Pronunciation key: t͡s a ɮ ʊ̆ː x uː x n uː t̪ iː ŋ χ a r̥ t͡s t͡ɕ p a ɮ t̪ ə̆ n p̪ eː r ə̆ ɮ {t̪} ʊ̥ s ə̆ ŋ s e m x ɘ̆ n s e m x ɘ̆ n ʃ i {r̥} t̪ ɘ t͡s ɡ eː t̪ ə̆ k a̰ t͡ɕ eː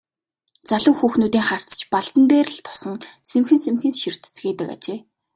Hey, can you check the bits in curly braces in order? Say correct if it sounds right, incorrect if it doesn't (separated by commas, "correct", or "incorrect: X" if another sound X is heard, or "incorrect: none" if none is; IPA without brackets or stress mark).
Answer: incorrect: t̪ʰ, correct